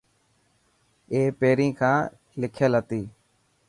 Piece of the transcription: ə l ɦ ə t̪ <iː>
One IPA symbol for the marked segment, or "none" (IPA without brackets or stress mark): iː